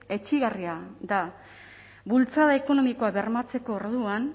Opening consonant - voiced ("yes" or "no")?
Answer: no